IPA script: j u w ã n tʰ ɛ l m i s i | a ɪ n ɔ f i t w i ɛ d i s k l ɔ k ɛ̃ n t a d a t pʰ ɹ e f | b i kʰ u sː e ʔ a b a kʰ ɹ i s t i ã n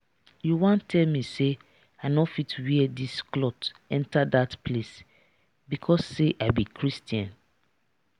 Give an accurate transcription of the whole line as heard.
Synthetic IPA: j u w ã n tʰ ɛ l m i s e | a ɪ n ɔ f i t w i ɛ d i s k l ɔ t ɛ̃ n t a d a t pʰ l e s | b i kʰ ɔ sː e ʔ a b i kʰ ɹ i s t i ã n